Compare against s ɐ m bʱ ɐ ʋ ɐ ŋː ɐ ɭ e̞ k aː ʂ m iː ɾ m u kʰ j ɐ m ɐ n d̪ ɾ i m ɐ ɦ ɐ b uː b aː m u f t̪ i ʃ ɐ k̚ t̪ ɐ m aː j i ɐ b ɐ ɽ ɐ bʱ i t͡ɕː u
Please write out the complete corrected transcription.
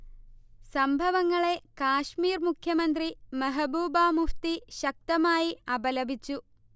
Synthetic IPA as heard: s ɐ m bʱ ɐ ʋ ɐ ŋː ɐ ɭ e̞ k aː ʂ m iː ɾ m u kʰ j ɐ m ɐ n d̪ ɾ i m ɐ ɦ ɐ b uː b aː m u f t̪ i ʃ ɐ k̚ t̪ ɐ m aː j i ɐ b ɐ l ɐ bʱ i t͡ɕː u